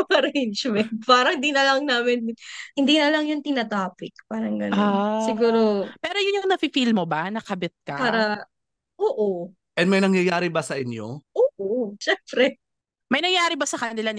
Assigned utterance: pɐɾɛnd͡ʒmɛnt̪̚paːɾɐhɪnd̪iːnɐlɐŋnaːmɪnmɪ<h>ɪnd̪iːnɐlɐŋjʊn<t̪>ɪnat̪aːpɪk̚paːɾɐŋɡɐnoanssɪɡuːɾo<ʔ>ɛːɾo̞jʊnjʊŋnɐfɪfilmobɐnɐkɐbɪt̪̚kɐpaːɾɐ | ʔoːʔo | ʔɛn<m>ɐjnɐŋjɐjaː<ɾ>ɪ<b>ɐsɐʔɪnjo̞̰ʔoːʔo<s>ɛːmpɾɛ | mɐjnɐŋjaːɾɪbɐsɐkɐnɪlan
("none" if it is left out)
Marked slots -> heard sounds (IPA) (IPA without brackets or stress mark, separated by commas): h, t̪, p, m, ɾ, b, ʃ